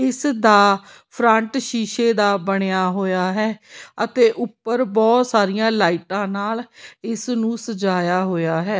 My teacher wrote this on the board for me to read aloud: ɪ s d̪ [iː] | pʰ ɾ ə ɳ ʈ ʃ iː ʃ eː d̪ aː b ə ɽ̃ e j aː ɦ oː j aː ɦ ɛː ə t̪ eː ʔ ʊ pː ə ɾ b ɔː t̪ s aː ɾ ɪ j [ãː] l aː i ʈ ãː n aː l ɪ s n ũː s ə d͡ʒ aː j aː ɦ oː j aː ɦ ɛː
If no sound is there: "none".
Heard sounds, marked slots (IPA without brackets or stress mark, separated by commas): aː, ãː